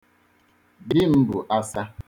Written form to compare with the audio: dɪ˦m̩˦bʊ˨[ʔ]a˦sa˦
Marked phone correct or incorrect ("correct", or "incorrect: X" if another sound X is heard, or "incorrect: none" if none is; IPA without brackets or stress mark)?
correct